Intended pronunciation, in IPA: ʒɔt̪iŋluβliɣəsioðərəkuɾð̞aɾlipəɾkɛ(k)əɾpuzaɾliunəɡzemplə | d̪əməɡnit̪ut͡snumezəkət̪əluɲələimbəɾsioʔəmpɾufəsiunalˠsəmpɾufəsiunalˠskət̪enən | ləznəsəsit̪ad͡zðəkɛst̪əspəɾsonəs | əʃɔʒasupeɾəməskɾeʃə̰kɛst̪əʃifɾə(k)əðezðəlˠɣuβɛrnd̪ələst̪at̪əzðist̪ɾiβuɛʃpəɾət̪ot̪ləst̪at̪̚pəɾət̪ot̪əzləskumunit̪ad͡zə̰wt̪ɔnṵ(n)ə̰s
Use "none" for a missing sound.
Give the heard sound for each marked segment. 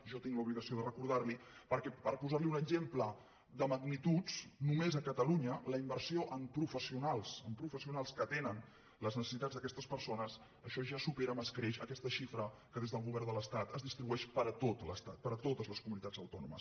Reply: p, k, m

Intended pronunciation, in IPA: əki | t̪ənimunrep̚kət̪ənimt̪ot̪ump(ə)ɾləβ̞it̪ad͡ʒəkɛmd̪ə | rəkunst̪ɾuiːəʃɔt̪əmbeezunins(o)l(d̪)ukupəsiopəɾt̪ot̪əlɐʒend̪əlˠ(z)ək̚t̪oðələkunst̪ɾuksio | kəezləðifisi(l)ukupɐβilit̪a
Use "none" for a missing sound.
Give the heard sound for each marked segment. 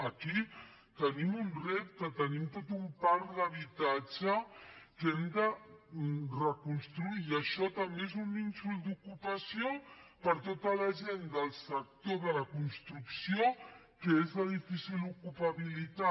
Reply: a, u, d̪, s, l

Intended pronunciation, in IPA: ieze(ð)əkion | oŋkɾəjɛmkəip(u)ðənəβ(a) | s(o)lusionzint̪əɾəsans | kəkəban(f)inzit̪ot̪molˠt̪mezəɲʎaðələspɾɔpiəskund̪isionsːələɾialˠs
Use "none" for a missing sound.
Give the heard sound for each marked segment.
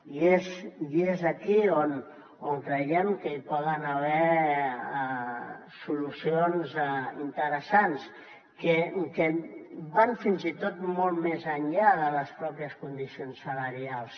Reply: z, ɔ, ɛ, u, f

